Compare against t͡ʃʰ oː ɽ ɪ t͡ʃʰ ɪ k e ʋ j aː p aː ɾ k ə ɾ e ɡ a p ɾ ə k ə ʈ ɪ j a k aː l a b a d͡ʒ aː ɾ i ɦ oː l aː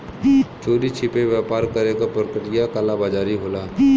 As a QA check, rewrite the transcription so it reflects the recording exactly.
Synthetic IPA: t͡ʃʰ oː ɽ i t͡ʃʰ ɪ p e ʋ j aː p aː ɾ k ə ɾ e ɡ a p ɾ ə k ə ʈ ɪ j a k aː l a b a d͡ʒ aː ɾ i ɦ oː l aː